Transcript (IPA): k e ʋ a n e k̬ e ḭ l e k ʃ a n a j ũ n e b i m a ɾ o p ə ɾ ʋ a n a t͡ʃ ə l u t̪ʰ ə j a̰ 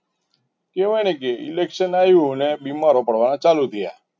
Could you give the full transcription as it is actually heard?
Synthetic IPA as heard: k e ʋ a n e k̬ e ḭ l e k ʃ ə n a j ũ n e b i m a ɾ o p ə ɽ ʋ a n a t͡ʃ a l u t̪ʰ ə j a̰